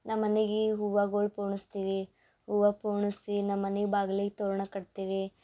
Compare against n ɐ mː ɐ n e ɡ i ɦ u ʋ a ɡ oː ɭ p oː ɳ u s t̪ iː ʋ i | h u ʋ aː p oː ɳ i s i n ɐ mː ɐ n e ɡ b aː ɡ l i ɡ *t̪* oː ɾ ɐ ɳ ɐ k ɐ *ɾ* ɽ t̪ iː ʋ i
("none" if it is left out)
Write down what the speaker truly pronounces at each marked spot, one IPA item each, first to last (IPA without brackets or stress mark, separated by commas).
t̪, none